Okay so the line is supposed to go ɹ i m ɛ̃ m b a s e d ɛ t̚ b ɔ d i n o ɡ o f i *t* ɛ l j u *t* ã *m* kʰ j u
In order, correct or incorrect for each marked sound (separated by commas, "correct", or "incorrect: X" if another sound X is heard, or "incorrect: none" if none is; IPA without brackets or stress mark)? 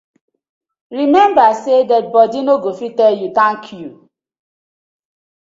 correct, correct, incorrect: ŋ